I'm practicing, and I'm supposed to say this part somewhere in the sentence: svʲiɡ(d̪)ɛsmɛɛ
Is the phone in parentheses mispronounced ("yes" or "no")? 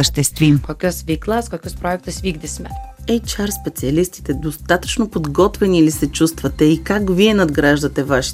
no